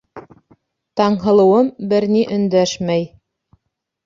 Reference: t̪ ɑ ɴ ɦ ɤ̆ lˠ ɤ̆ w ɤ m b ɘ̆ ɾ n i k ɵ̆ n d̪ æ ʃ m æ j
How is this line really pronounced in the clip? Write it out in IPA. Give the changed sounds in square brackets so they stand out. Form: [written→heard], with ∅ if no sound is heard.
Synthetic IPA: t̪ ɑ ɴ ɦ ɤ̆ lˠ ɤ̆ w ɤ m b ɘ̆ ɾ n i [k→ʔ] ɵ̆ n d̪ æ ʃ m æ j

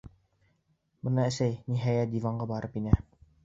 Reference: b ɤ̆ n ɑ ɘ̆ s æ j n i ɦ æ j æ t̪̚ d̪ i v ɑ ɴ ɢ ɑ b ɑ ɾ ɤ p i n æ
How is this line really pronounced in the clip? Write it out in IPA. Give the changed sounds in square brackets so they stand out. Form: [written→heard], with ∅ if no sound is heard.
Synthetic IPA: b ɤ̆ n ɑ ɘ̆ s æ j n i ɦ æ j æ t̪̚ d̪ i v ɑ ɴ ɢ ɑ b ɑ ɾ ɤ p i n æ

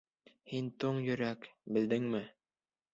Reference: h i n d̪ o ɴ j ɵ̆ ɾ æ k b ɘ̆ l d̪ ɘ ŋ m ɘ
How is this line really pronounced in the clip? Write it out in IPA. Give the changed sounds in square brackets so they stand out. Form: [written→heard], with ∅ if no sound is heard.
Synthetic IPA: h i n [d̪→t̪] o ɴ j ɵ̆ ɾ æ k b ɘ̆ l d̪ ɘ ŋ m ɘ

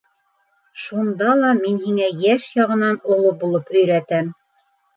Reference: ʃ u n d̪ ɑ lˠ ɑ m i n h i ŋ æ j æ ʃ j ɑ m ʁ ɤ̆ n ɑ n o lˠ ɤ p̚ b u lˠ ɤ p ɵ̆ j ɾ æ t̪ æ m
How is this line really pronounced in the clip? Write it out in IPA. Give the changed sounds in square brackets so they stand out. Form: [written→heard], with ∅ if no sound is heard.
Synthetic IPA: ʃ u n d̪ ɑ lˠ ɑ m i n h i ŋ æ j æ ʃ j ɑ [m→∅] ʁ ɤ̆ n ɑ n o lˠ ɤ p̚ b u lˠ ɤ p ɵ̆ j ɾ æ t̪ æ m

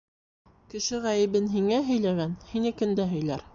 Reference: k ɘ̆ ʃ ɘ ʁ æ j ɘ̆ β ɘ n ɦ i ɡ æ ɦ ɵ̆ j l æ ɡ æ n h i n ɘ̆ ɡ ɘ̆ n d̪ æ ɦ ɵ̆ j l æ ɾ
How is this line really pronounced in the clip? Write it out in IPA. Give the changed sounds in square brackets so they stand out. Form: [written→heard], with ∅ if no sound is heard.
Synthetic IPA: k ɘ̆ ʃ ɘ ʁ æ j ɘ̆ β ɘ n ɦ i [ɡ→ŋ] æ ɦ ɵ̆ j l æ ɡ æ n h i n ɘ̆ [ɡ→k] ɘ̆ n d̪ æ ɦ ɵ̆ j l æ ɾ

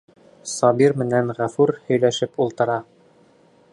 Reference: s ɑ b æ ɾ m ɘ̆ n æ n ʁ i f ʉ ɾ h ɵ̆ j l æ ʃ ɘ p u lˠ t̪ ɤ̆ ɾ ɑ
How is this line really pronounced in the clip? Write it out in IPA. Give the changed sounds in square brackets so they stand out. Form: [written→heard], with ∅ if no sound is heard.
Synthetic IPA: s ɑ b [æ→i] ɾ m ɘ̆ n æ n ʁ [i→æ] f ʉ ɾ h ɵ̆ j l æ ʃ ɘ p u lˠ t̪ ɤ̆ ɾ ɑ

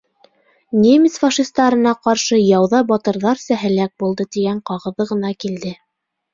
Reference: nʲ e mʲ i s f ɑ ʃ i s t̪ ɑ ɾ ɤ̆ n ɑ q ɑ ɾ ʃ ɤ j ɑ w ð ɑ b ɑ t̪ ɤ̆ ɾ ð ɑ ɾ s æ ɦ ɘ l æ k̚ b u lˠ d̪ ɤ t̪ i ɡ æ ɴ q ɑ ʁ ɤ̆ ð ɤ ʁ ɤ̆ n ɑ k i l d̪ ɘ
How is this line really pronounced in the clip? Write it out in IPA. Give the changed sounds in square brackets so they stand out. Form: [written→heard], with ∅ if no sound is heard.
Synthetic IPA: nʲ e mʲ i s f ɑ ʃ i s t̪ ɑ ɾ ɤ̆ n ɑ q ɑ ɾ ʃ ɤ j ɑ w ð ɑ b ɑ t̪ ɤ̆ ɾ ð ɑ ɾ s æ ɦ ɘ l æ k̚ b u lˠ d̪ ɤ t̪ i ɡ æ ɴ q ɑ ʁ ɤ̆ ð ɤ ʁ ɤ̆ n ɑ k i l d̪ ɘ

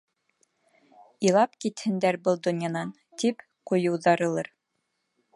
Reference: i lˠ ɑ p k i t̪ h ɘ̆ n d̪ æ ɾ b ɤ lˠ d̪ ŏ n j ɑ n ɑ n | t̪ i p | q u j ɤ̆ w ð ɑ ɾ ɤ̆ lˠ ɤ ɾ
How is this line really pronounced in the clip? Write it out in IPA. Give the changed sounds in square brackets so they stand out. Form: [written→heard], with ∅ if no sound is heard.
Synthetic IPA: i lˠ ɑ p k i t̪ h ɘ̆ n d̪ æ ɾ b ɤ lˠ d̪ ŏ n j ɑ n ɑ n | t̪ i p | q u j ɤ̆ w ð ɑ ɾ ɤ̆ lˠ ɤ ɾ

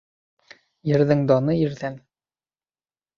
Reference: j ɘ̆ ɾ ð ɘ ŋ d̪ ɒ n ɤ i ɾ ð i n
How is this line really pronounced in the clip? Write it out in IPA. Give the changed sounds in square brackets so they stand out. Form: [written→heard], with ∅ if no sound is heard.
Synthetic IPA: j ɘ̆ ɾ ð ɘ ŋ d̪ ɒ n ɤ i ɾ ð [i→æ] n

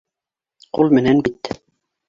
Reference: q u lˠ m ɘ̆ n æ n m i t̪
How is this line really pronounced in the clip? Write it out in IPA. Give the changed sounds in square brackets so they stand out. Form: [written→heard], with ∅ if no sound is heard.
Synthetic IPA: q u lˠ m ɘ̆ n æ n [m→b] i t̪

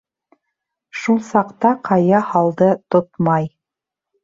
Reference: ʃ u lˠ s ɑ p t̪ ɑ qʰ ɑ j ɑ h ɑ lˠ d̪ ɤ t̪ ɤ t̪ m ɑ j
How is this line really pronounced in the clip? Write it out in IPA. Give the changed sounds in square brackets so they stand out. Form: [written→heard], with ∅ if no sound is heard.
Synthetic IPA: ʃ u lˠ s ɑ [p→q] t̪ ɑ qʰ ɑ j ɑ h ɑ lˠ d̪ ɤ t̪ [ɤ→o] t̪ m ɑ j

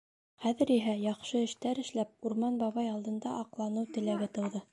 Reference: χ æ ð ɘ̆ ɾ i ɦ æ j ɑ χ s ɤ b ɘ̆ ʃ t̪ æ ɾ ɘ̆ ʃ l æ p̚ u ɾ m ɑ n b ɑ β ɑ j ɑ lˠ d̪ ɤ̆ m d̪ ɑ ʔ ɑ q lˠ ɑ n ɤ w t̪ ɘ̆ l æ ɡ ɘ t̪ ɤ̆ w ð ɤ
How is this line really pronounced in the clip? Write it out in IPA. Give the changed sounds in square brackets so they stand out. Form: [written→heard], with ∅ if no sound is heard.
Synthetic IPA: χ æ ð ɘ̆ ɾ i ɦ æ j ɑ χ [s→ʃ] ɤ [b→∅] ɘ̆ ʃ t̪ æ ɾ ɘ̆ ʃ l æ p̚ u ɾ m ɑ n b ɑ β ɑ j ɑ lˠ d̪ ɤ̆ [m→n] d̪ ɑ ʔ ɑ q lˠ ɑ n ɤ w t̪ ɘ̆ l æ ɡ ɘ t̪ ɤ̆ w ð ɤ

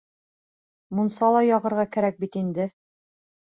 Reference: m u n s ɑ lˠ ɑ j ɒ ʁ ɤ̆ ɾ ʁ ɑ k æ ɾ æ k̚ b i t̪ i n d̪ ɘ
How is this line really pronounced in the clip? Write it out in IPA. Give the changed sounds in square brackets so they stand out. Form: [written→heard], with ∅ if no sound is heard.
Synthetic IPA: m u n s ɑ lˠ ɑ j ɒ ʁ ɤ̆ ɾ ʁ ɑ k æ ɾ æ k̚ b i t̪ i n d̪ ɘ

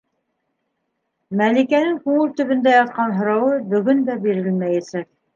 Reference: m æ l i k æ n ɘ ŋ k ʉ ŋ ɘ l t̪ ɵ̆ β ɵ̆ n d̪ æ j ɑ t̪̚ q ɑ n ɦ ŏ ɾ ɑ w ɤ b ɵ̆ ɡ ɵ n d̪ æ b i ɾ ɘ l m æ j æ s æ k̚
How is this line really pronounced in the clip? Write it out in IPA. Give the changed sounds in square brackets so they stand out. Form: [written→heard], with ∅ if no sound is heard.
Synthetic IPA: m æ l i k æ n ɘ ŋ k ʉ ŋ ɘ l t̪ ɵ̆ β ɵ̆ n d̪ æ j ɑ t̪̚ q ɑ n ɦ ŏ ɾ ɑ w ɤ b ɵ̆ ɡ ɵ n d̪ æ b i ɾ ɘ l m æ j æ s æ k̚

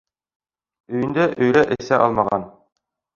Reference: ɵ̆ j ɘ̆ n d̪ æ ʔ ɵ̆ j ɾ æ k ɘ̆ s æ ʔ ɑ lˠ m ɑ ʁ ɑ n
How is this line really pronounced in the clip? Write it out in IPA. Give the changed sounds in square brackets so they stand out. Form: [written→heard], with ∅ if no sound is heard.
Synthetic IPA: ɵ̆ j ɘ̆ n d̪ æ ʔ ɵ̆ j ɾ æ [k→ʔ] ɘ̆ s æ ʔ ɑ lˠ m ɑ ʁ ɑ n

